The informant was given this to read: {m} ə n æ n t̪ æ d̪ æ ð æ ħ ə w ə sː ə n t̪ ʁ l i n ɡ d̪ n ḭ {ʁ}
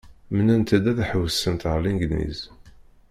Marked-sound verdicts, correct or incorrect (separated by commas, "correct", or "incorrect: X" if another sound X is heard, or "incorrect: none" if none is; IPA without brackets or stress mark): correct, incorrect: z